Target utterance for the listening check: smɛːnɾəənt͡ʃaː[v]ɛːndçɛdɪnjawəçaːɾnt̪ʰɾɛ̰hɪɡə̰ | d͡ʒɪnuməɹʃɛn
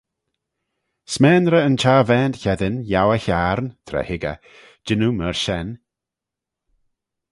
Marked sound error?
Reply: no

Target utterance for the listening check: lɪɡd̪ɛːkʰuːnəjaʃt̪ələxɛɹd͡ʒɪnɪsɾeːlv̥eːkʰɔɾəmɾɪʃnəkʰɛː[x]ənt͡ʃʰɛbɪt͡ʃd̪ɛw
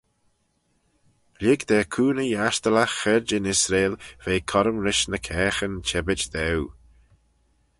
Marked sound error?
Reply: no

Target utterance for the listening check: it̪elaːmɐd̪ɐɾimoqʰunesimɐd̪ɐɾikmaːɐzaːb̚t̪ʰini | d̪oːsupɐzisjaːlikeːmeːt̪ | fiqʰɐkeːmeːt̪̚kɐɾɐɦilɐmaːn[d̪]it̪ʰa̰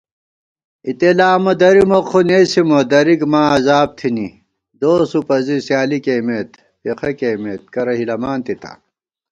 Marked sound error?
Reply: yes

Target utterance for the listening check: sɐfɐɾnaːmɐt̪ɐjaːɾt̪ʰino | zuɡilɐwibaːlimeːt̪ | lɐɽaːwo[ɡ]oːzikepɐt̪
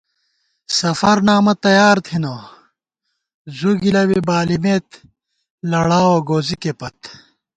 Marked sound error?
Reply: no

